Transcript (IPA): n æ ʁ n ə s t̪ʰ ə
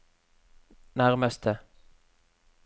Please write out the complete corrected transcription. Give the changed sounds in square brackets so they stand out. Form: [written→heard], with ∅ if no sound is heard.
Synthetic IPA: n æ ʁ [n→m] ə s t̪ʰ ə